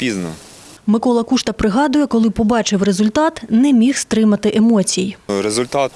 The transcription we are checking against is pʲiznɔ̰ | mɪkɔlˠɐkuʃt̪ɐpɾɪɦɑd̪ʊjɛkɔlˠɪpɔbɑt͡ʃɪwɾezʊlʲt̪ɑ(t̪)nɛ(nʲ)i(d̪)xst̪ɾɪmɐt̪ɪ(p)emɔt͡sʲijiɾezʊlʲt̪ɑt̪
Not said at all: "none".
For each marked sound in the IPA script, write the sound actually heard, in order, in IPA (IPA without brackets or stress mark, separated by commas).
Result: t̪, mʲ, none, ʔ